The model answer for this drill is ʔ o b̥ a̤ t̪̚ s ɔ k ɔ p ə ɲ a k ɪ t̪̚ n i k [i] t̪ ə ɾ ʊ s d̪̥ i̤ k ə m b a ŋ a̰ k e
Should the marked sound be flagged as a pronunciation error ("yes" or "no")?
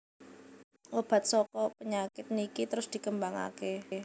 no